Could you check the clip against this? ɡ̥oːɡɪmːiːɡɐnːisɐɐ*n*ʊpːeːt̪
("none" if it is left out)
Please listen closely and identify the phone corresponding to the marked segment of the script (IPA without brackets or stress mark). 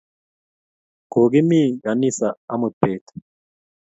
m